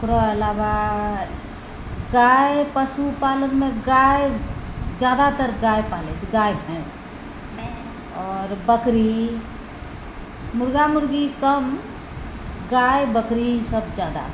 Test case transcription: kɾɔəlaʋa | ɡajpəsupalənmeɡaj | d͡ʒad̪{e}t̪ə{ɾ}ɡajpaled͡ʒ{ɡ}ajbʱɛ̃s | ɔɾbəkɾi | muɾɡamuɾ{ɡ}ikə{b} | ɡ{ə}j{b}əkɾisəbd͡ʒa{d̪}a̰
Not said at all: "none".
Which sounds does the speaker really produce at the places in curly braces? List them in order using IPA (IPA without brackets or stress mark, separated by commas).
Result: a, ɾ, ɡ, ɡ, m, a, b, d̪